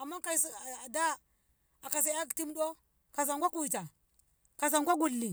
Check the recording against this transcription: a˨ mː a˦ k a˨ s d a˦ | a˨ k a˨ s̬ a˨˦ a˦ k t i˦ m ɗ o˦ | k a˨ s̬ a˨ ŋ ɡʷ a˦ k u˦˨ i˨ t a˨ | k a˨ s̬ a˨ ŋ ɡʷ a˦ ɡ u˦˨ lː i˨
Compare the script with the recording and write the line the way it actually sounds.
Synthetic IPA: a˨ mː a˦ k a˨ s d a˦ | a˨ k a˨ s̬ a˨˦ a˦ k t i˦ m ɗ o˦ | k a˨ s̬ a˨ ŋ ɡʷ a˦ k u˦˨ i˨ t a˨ | k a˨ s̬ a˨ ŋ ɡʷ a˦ ɡ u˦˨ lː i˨